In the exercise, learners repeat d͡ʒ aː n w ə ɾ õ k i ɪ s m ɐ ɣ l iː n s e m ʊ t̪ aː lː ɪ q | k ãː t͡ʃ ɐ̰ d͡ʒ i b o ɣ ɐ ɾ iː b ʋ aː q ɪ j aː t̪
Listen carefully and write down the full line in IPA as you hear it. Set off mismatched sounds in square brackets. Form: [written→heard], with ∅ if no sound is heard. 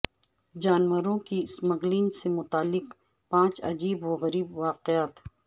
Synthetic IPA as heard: d͡ʒ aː n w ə ɾ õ k i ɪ s m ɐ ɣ l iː n s e m ʊ t̪ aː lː ɪ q | [k→p] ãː t͡ʃ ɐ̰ d͡ʒ [i→iː] b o ɣ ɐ ɾ iː b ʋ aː q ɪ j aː t̪